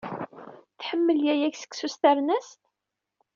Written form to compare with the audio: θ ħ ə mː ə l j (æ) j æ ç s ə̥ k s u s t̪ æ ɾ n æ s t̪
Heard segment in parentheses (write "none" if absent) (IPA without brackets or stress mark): æ